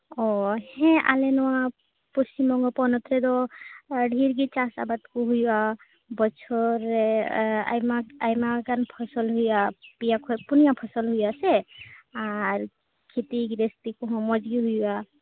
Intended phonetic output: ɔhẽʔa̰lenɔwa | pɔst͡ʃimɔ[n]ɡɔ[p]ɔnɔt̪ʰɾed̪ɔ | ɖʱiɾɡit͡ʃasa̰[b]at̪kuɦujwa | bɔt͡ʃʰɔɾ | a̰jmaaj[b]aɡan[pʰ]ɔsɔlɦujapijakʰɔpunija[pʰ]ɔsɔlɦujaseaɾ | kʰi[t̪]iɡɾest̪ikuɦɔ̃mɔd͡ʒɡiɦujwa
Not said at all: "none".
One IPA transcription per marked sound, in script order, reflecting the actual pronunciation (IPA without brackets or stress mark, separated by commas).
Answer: ŋ, p, b, m, pʰ, pʰ, t̪